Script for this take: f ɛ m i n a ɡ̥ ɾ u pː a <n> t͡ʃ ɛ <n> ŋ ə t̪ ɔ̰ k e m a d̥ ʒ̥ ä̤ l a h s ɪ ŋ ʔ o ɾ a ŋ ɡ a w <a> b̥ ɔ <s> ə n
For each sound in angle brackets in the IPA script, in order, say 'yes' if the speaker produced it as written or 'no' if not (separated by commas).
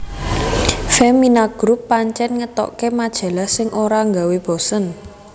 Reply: no, yes, no, yes